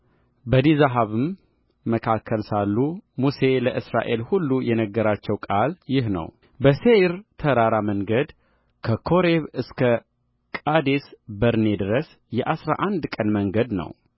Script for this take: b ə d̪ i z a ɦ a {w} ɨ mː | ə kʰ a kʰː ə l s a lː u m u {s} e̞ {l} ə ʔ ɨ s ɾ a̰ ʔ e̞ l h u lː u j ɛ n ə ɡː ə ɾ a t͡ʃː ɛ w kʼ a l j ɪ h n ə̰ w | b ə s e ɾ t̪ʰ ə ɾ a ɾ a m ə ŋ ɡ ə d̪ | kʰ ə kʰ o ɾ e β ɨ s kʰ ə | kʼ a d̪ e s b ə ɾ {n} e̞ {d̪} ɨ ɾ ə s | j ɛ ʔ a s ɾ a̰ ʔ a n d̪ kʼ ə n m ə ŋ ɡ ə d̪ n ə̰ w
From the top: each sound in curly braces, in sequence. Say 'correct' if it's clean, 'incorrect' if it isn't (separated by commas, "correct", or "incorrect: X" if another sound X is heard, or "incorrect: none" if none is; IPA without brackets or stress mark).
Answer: incorrect: β, correct, correct, correct, correct